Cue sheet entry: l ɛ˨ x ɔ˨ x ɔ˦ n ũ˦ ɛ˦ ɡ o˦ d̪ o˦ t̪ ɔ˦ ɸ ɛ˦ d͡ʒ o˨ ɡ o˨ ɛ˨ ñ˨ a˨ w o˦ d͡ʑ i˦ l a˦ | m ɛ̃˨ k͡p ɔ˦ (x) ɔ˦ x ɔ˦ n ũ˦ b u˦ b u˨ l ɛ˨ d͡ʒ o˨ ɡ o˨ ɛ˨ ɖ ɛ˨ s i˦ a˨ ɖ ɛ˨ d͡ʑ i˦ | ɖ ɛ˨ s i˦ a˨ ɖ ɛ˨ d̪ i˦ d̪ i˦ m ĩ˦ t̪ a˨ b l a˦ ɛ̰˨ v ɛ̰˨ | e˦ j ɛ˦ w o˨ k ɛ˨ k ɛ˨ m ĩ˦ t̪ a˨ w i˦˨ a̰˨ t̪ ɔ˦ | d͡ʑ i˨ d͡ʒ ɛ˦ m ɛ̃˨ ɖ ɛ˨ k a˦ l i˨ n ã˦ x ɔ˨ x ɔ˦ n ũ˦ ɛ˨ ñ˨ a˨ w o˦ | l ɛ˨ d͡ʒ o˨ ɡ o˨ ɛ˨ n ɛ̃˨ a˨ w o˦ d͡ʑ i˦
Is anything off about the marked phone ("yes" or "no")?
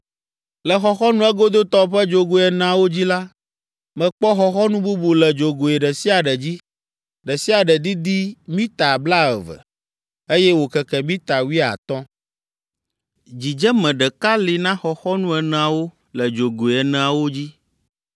no